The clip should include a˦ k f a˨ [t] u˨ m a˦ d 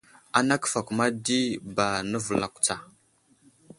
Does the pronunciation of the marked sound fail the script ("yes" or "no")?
yes